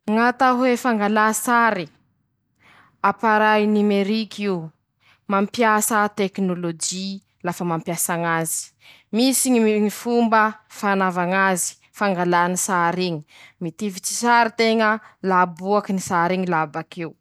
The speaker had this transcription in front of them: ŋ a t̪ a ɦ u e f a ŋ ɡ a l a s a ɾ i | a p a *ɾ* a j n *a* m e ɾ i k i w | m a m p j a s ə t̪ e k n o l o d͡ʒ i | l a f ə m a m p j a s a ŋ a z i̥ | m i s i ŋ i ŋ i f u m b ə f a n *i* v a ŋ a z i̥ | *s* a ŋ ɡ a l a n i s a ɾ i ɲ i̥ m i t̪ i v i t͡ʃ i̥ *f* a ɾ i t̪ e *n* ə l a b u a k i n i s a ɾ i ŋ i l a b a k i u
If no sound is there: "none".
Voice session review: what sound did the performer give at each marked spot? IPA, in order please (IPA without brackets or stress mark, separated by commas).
ɾ, i, a, f, s, ŋ